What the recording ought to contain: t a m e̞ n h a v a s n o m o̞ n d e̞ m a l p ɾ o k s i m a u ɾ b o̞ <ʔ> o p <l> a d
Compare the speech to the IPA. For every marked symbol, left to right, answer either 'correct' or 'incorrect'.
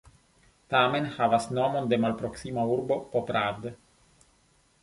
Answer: incorrect, incorrect

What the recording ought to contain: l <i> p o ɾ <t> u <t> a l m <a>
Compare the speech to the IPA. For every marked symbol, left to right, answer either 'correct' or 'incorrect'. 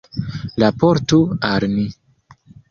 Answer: incorrect, correct, incorrect, incorrect

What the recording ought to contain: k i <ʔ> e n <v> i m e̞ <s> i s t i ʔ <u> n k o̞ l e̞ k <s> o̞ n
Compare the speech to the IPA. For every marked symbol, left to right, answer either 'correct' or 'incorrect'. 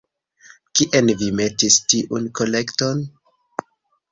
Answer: correct, correct, incorrect, correct, incorrect

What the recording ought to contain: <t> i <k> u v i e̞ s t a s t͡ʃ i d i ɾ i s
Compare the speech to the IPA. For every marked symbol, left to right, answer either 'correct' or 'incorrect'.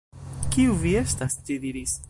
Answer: incorrect, incorrect

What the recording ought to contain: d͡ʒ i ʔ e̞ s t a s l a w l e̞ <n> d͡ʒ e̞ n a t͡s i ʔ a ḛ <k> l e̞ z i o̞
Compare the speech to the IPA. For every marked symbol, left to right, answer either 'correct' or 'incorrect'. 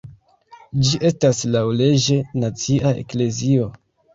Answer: incorrect, correct

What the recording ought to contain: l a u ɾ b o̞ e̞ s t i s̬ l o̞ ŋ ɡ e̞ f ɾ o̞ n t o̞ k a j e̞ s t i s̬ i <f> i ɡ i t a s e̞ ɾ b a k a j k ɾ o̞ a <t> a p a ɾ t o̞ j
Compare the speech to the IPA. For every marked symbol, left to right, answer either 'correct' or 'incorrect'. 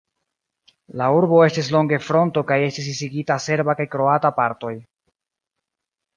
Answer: incorrect, correct

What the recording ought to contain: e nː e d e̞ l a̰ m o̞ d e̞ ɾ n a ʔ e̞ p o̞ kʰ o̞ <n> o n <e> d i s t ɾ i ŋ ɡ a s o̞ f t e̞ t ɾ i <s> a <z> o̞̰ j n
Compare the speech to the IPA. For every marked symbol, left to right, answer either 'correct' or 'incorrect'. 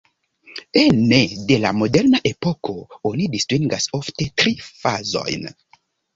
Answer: incorrect, incorrect, incorrect, correct

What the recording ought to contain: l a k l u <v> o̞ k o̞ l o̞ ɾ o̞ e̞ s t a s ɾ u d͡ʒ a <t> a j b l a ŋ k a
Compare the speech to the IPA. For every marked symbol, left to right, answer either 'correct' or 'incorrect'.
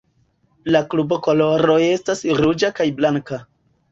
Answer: incorrect, incorrect

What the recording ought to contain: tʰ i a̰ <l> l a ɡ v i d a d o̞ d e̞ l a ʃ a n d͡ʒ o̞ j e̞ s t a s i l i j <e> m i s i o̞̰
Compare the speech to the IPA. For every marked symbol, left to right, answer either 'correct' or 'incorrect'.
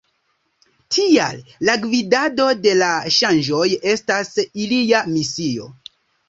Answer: correct, incorrect

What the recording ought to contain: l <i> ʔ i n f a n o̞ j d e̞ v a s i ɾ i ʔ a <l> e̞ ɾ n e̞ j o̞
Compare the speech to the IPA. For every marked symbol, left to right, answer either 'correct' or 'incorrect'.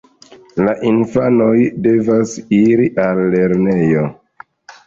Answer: incorrect, incorrect

